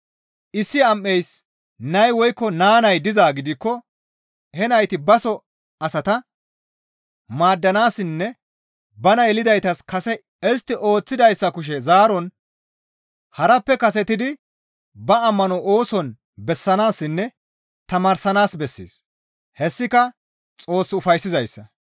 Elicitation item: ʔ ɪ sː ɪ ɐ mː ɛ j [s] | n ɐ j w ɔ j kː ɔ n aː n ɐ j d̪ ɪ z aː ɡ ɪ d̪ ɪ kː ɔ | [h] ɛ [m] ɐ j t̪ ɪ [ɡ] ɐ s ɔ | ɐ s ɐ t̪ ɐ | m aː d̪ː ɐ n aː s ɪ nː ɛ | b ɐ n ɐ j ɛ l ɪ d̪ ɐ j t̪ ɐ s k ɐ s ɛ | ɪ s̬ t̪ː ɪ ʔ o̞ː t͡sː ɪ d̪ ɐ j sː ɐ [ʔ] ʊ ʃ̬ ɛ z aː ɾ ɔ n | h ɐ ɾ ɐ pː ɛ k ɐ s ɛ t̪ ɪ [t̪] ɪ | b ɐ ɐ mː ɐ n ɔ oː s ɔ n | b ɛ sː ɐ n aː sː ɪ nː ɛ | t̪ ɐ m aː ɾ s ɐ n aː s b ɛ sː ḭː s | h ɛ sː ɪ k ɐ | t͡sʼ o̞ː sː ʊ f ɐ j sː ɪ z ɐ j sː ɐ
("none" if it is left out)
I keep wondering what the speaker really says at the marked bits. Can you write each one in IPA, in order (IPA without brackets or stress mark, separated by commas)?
s, h, n, b, k, d̪